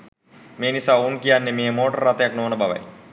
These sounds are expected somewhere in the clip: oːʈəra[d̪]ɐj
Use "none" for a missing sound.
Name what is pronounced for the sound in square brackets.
t̪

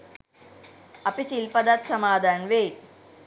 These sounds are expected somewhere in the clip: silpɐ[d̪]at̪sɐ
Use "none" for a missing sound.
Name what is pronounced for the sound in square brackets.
d̪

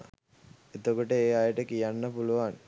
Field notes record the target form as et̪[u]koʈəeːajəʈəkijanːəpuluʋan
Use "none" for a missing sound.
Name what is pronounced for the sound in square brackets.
o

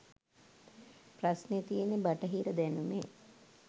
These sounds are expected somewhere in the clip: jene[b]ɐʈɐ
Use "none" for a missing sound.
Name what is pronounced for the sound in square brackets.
b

